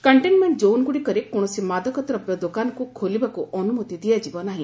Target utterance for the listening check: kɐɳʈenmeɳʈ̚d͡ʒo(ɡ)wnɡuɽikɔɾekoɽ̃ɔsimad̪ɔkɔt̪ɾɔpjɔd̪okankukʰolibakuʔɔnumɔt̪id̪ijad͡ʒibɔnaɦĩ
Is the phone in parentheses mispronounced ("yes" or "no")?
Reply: yes